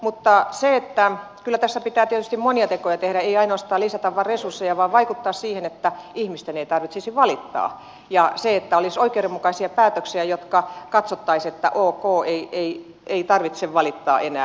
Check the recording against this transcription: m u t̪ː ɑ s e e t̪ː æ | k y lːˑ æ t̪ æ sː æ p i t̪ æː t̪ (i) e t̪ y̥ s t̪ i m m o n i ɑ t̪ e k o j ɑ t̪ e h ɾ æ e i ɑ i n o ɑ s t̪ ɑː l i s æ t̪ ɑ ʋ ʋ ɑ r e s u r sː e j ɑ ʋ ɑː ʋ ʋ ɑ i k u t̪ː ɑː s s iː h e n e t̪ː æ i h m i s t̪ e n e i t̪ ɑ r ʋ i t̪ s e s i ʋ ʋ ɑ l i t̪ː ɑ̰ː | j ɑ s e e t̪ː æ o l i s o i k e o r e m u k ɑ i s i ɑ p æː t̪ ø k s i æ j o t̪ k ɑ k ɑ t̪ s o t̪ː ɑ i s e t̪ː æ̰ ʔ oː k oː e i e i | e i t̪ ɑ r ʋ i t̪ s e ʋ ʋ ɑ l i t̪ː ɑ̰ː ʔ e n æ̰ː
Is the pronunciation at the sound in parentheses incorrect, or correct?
correct